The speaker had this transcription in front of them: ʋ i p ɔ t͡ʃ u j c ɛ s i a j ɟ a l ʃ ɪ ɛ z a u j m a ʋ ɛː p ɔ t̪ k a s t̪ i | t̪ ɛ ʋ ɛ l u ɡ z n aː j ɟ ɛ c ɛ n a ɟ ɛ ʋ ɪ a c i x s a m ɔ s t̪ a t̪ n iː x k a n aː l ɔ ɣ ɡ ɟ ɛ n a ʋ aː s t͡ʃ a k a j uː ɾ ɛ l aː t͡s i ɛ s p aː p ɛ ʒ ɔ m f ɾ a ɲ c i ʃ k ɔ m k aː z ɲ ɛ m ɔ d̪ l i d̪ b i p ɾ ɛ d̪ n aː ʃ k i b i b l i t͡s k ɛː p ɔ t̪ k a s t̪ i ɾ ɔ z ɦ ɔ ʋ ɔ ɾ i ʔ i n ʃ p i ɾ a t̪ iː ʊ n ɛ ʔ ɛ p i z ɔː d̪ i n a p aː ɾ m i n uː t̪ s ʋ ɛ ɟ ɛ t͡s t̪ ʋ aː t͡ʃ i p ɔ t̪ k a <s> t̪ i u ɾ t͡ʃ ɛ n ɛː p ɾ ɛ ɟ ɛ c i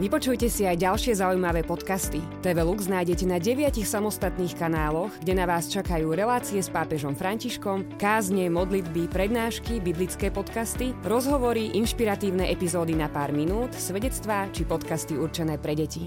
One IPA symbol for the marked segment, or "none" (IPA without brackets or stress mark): s